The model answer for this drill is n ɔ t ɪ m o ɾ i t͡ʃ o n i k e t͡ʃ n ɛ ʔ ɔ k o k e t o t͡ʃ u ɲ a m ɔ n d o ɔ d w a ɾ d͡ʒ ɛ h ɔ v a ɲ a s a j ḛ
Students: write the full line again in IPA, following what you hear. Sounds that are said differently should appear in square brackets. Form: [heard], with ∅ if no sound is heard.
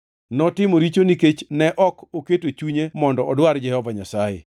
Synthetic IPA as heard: n ɔ t ɪ m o ɾ i t͡ʃ o n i k e t͡ʃ n ɛ ʔ ɔ k o k e t o t͡ʃ u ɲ [e] m ɔ n d [ɔ] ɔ d w a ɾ d͡ʒ ɛ h ɔ v a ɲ a s a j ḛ